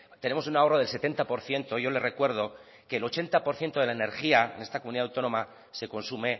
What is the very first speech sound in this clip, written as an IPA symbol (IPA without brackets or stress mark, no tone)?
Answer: t̪